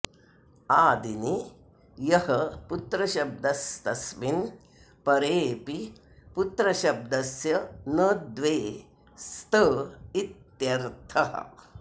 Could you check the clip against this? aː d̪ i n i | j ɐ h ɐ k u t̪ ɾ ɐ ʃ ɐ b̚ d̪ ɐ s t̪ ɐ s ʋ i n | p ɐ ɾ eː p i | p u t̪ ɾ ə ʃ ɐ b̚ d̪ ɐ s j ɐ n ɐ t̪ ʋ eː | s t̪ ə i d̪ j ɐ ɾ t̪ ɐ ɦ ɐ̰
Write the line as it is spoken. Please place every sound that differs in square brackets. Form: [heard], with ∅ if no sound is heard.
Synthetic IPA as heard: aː d̪ i n i | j ɐ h ɐ [p] u t̪ ɾ ɐ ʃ ɐ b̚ d̪ ɐ s t̪ ɐ s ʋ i n | p ɐ ɾ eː p i | p u t̪ ɾ [ɐ] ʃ ɐ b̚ d̪ ɐ s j ɐ n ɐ [d̪] ʋ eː | s t̪ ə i [t̪] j ɐ ɾ [t̪ʰ] ɐ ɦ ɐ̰